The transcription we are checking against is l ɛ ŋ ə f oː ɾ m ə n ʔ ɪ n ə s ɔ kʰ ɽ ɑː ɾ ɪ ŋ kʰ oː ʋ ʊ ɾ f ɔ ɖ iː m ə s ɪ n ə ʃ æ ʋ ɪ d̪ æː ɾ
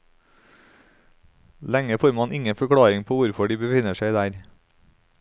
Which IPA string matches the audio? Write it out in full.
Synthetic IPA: l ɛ ŋ ə f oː ɾ m ɑ n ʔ ɪ ŋ ə f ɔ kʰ ɽ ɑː ɾ ɪ ŋ pʰ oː ʋ ʊ ɾ f ɔ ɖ iː b ə f ɪ n ə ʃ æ ɪ d̪ æː ɾ